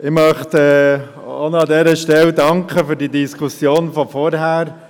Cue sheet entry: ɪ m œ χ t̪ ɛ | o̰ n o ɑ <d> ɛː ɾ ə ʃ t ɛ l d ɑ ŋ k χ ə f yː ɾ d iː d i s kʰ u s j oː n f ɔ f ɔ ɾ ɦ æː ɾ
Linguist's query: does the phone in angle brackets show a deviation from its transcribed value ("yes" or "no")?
no